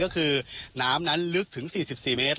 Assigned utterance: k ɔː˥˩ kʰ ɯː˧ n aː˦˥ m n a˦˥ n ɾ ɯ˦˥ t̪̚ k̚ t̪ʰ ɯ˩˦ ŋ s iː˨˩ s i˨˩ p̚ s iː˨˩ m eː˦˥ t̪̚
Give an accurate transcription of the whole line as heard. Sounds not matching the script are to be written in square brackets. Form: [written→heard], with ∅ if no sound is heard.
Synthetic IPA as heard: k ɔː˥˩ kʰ ɯː˧ n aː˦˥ m n a˦˥ n [ɾ→l] ɯ˦˥ [t̪̚→∅] k̚ t̪ʰ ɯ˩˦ ŋ s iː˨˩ s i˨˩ p̚ s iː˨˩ m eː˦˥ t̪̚